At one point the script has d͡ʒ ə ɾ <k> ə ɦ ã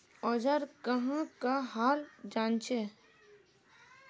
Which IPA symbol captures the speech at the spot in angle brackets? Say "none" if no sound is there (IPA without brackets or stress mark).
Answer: k